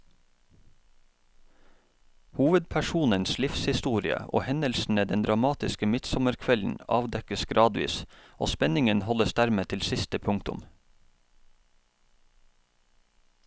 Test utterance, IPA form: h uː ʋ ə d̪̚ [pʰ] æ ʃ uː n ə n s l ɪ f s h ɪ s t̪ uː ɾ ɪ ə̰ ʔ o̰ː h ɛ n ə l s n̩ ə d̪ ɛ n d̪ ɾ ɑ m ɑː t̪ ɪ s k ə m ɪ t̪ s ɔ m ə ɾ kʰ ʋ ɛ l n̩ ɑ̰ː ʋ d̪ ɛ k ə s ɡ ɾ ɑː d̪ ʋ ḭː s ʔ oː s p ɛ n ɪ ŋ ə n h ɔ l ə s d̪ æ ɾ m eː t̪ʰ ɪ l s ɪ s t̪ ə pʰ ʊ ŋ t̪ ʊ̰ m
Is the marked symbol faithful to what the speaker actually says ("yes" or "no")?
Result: yes